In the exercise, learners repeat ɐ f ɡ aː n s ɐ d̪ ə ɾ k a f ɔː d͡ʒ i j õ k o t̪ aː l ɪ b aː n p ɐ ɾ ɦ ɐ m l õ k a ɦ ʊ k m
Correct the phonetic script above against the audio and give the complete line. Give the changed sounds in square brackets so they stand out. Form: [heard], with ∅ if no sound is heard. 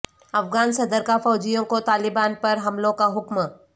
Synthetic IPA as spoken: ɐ f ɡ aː n s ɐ d̪ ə ɾ k a f ɔː d͡ʒ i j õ k o t̪ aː l ɪ b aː n p ɐ ɾ ɦ ɐ m l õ k a ɦ ʊ k m